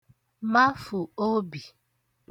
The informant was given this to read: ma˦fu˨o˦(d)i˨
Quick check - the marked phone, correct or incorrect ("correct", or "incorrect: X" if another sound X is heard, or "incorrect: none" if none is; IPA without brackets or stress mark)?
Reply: incorrect: b